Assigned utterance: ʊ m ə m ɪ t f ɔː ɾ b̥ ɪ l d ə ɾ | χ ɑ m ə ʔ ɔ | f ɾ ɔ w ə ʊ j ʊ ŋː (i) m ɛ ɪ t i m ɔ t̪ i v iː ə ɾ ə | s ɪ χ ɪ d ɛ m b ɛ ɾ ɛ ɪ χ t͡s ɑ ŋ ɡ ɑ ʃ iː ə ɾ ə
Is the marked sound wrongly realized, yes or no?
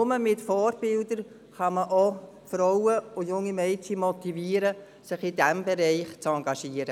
no